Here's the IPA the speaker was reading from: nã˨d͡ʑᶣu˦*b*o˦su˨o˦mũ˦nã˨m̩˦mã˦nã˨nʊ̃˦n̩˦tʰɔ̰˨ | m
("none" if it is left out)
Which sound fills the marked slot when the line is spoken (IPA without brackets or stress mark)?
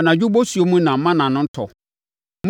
b